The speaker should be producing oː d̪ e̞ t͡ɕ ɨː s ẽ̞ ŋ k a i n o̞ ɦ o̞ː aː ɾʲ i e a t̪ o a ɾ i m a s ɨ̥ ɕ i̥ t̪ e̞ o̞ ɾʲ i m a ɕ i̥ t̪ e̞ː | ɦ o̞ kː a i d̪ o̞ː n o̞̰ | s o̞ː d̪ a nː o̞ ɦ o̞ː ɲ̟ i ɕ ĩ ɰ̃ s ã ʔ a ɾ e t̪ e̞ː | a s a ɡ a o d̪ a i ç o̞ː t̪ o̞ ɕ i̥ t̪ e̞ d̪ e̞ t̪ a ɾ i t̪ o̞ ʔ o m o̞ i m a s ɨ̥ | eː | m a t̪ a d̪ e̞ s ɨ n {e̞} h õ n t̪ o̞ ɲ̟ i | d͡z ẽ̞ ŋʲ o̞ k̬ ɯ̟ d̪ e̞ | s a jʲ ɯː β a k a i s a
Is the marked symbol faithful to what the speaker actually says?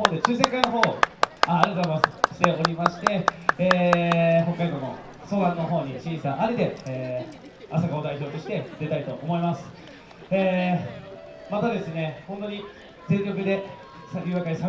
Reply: yes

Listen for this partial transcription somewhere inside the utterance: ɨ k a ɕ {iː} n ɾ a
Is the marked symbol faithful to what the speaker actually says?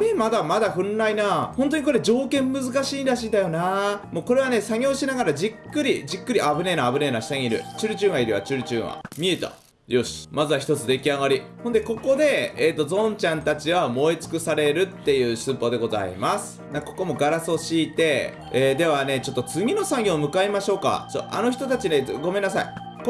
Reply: yes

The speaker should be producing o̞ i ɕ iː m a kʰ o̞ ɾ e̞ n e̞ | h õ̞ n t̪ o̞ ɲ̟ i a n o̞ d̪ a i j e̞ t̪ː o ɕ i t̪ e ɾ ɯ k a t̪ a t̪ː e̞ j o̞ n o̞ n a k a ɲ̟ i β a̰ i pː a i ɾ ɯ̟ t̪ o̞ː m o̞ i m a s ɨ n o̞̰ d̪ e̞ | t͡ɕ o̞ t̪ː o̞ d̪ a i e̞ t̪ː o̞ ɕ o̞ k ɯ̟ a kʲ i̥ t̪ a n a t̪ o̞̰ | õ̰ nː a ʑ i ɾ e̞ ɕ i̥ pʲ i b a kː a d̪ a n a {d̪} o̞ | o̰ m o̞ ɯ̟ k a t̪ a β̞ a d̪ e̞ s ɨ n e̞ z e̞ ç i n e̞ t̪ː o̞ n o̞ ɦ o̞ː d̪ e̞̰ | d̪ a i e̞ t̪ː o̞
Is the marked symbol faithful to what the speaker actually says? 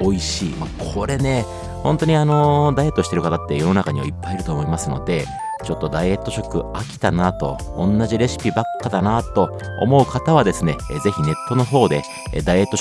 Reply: no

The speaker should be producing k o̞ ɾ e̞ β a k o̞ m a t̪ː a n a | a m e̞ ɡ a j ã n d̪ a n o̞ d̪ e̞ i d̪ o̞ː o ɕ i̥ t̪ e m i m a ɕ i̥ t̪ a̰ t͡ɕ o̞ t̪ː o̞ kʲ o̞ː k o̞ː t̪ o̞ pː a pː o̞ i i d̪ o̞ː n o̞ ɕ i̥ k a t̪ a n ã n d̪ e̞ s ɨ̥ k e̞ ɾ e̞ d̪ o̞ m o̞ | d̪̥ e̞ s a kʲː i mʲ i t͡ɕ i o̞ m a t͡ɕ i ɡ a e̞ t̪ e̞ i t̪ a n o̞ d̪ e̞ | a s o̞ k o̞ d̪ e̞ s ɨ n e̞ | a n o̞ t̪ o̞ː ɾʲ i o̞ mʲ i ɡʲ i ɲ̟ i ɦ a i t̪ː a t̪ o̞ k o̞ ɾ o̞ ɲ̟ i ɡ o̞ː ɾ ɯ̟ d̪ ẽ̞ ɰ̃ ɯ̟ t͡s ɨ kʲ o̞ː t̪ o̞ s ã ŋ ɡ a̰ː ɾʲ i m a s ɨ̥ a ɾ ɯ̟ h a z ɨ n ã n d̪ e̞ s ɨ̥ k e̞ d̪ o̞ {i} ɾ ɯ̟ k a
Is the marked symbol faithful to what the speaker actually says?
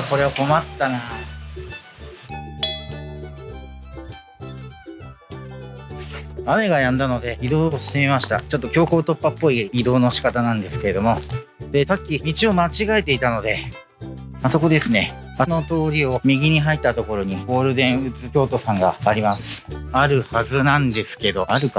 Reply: no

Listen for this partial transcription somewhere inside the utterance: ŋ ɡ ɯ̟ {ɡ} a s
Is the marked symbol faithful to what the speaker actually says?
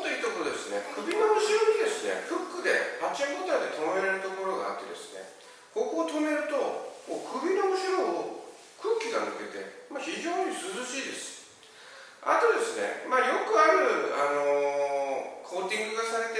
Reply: yes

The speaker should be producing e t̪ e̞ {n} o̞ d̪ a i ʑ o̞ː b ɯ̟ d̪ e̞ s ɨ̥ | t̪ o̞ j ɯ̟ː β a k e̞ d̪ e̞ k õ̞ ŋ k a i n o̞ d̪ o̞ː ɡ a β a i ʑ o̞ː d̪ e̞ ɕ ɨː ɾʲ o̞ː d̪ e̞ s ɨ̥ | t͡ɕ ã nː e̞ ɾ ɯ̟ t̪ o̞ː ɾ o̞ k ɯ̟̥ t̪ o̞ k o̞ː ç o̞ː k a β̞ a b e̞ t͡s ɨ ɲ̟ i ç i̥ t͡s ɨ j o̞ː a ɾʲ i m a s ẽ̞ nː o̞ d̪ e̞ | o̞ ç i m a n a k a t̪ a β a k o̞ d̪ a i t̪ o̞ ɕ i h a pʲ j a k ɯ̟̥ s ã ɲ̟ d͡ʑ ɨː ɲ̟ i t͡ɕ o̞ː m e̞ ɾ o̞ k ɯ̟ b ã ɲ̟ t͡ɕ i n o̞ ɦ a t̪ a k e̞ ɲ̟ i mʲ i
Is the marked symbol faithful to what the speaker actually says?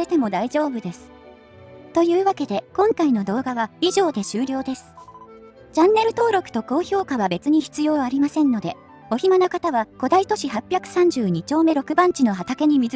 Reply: no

